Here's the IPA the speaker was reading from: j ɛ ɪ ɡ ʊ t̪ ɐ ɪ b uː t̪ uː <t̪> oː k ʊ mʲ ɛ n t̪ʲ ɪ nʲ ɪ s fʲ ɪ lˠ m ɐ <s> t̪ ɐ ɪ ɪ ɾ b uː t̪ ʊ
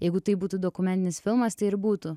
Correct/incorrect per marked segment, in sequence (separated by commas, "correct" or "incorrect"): incorrect, correct